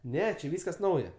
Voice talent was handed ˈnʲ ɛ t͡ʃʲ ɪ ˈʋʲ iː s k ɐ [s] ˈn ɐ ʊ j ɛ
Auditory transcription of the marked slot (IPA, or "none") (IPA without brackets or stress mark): s